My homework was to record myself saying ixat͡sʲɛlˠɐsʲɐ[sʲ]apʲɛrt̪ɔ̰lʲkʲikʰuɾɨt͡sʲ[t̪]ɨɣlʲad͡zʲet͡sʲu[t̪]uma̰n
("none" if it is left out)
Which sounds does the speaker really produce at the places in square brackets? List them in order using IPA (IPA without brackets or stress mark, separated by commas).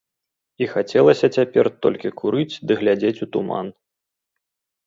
t͡sʲ, d̪, t̪